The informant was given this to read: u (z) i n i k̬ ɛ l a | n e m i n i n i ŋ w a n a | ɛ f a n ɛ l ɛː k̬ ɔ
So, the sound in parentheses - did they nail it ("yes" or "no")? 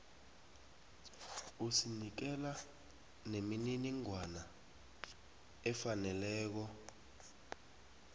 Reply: no